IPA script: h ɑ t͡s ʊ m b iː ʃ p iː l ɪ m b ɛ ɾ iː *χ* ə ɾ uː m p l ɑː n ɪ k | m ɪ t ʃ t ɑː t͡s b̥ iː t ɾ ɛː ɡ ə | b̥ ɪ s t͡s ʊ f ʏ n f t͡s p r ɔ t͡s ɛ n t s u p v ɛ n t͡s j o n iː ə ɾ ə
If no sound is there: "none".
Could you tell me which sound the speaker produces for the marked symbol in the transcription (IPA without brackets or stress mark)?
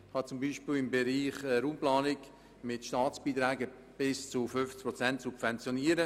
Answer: χ